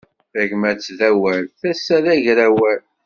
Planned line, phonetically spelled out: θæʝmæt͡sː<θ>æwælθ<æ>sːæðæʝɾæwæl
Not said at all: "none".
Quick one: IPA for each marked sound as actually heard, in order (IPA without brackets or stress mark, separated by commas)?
ð, æ